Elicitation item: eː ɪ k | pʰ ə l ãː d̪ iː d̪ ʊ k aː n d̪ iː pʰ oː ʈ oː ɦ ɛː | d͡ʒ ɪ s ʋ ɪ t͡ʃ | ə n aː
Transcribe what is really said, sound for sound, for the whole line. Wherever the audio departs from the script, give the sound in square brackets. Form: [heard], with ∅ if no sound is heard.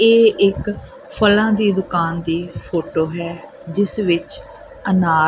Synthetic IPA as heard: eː ɪ k | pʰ ə l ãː d̪ iː d̪ ʊ k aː n d̪ iː pʰ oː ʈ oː ɦ ɛː | d͡ʒ ɪ s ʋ ɪ t͡ʃ | ə n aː